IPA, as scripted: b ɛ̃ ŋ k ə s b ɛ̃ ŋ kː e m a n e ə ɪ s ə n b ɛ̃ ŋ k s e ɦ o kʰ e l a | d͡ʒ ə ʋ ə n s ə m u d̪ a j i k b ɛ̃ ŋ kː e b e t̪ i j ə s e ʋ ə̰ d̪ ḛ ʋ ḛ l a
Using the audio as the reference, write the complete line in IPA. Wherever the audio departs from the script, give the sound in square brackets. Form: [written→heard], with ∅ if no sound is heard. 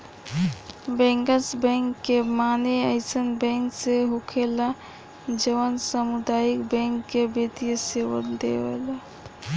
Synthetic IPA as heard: b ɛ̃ ŋ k ə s b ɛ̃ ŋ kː e m a n e ə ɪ s ə n b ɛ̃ ŋ k s e ɦ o kʰ e l a | d͡ʒ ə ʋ ə n s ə m u d̪ a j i k b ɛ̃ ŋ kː e b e t̪ i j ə s e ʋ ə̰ d̪ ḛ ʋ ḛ l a